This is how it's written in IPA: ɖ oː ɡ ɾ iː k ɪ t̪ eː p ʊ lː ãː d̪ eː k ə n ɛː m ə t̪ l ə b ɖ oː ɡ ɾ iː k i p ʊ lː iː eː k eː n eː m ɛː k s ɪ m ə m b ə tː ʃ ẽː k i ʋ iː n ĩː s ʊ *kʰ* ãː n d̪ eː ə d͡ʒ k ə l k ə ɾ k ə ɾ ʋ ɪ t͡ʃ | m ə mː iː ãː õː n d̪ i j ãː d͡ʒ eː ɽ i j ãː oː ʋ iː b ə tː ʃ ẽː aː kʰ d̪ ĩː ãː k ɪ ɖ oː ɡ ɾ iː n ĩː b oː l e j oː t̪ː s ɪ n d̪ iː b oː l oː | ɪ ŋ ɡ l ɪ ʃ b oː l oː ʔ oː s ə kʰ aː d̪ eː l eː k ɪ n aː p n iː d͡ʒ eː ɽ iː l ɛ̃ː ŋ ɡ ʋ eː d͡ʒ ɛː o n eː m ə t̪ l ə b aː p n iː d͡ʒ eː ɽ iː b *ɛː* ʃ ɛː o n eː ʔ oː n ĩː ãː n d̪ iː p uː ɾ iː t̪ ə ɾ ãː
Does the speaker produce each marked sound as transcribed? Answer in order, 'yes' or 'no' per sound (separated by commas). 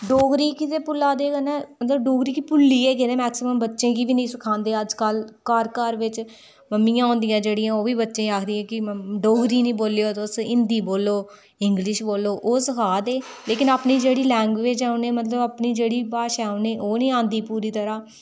yes, no